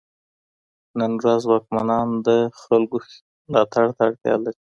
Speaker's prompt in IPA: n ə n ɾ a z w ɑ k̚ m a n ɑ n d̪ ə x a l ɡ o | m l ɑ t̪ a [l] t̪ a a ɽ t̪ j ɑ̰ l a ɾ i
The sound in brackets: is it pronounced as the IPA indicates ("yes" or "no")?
no